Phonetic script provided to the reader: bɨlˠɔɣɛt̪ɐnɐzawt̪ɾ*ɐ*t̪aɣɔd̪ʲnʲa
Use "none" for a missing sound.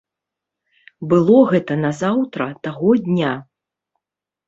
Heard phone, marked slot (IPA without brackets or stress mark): ɐ